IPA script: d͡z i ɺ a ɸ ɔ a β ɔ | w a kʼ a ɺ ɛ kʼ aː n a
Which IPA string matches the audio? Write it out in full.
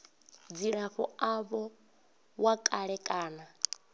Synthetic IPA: d͡z i ɺ a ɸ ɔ a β ɔ | w a kʼ a ɺ ɛ kʼ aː n a